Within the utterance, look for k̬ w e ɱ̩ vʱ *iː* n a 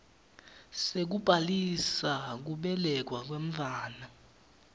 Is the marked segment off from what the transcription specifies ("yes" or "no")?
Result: yes